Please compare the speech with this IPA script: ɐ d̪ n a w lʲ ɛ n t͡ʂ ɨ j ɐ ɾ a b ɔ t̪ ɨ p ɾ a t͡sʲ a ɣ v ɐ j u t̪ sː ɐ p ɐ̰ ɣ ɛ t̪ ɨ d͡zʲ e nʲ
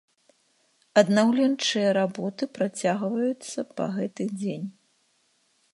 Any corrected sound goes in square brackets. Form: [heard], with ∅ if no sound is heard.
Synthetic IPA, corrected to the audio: ɐ d̪ n a w lʲ ɛ n t͡ʂ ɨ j ɐ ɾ a b ɔ t̪ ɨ p ɾ a t͡sʲ a ɣ v ɐ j u t̪ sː ɐ p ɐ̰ ɣ ɛ t̪ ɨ d͡zʲ e nʲ

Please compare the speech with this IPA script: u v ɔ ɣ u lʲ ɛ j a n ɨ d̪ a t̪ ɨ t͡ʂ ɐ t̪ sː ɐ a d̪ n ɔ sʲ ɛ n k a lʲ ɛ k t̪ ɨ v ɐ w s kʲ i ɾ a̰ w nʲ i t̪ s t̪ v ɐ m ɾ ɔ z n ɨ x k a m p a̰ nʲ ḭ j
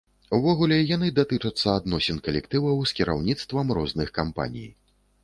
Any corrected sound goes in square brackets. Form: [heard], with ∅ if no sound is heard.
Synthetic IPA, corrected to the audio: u v ɔ ɣ u lʲ ɛ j a n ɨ d̪ a t̪ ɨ t͡ʂ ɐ t̪ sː ɐ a d̪ n ɔ sʲ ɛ n k [ɐ] lʲ ɛ k t̪ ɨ v ɐ w s kʲ i ɾ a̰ w nʲ i t̪ s t̪ v ɐ m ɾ ɔ z n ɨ x k a m p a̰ nʲ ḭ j

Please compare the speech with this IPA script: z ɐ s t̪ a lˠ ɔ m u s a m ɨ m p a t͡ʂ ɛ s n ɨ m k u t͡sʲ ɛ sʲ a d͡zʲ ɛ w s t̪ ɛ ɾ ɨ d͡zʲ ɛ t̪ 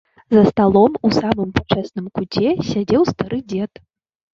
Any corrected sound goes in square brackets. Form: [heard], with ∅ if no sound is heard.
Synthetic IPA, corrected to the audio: z ɐ s t̪ a lˠ ɔ m u s a m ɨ m p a t͡ʂ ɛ s n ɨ m k u t͡sʲ ɛ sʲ a d͡zʲ ɛ w s t̪ [a] ɾ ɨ d͡zʲ ɛ t̪

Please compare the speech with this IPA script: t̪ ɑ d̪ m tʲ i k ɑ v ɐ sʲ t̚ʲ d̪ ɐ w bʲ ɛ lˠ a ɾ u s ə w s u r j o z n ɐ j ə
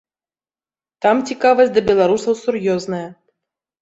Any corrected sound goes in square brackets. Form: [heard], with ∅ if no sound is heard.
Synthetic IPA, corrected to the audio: t̪ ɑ [∅] m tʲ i k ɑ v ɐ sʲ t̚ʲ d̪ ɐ [∅] bʲ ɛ lˠ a ɾ u s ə w s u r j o z n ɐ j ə

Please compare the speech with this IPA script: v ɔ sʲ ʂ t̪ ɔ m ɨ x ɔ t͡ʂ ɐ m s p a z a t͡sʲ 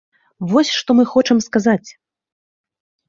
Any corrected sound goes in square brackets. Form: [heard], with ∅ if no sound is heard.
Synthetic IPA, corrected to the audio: v ɔ sʲ ʂ t̪ ɔ m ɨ x ɔ t͡ʂ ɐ m s [k] a z a t͡sʲ

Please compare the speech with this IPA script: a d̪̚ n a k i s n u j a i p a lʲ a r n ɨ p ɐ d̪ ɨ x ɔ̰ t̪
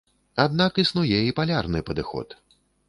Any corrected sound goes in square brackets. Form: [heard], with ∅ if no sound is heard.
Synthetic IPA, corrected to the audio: a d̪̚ n a k i s n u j [ɛ] i p a lʲ a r n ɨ p ɐ d̪ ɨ x ɔ̰ t̪

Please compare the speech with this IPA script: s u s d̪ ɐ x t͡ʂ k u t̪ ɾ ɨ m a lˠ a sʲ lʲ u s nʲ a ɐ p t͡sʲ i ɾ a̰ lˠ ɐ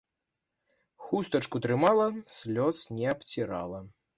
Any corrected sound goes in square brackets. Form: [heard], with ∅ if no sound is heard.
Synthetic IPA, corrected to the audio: [x] u s [t̪] ɐ [∅] t͡ʂ k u t̪ ɾ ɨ m a lˠ [ɐ] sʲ lʲ [ɔ] s nʲ [ɛ] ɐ p t͡sʲ i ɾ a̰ lˠ ɐ

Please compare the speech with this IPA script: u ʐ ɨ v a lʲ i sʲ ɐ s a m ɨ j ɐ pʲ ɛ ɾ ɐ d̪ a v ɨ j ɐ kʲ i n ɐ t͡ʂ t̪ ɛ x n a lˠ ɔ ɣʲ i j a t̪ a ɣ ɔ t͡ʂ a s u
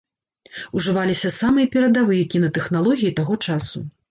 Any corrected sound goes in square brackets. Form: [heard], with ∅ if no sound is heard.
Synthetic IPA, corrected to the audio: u ʐ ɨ v a lʲ i sʲ ɐ s a m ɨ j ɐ pʲ ɛ ɾ ɐ d̪ a v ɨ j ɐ kʲ i n ɐ [∅] t̪ ɛ x n a lˠ ɔ ɣʲ i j [i] t̪ a ɣ ɔ t͡ʂ a s u

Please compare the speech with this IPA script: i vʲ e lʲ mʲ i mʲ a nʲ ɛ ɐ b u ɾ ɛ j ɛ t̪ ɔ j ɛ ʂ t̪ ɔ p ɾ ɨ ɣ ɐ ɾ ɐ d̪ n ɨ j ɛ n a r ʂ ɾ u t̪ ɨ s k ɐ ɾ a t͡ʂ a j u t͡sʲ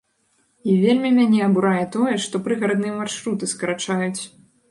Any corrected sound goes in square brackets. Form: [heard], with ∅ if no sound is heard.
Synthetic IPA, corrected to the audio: i vʲ e lʲ mʲ i mʲ a nʲ ɛ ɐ b u ɾ [a] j ɛ t̪ ɔ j ɛ ʂ t̪ ɔ p ɾ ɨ ɣ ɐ ɾ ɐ d̪ n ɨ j ɛ [m] a r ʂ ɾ u t̪ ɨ s k ɐ ɾ a t͡ʂ a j u t͡sʲ

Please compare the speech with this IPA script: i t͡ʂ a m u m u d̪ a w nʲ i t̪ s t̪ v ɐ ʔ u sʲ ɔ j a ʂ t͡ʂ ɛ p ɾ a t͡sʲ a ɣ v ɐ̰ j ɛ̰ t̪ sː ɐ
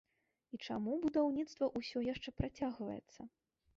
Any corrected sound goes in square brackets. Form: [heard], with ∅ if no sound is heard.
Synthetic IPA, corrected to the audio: i t͡ʂ a m u [b] u d̪ a w nʲ i t̪ s t̪ v ɐ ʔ u sʲ ɔ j a ʂ t͡ʂ ɛ p ɾ a t͡sʲ a ɣ v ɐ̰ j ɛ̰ t̪ sː ɐ

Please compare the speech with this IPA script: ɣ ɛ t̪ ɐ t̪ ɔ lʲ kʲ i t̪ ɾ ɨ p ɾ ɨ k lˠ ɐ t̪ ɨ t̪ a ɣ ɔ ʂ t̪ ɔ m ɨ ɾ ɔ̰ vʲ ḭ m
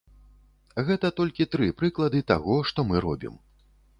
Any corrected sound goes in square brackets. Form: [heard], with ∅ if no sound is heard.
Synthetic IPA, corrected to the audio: ɣ ɛ t̪ ɐ t̪ ɔ lʲ kʲ i t̪ ɾ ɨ p ɾ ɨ k lˠ ɐ [d̪] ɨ t̪ a ɣ ɔ ʂ t̪ ɔ m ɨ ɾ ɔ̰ [bʲ] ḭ m

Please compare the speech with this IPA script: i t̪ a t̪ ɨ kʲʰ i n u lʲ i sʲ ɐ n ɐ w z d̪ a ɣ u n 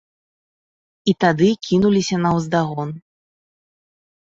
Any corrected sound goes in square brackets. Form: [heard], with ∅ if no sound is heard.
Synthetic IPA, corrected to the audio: i t̪ a [d̪] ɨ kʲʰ i n u lʲ i sʲ ɐ n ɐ w z d̪ a ɣ [ɔ] n

